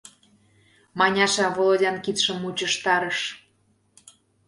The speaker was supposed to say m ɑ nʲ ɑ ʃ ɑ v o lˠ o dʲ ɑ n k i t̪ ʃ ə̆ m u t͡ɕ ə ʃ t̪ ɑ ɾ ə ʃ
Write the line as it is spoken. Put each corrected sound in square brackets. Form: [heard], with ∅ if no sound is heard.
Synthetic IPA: m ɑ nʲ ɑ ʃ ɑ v o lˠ o dʲ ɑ n k i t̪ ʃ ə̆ m u t͡ɕ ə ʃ t̪ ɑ ɾ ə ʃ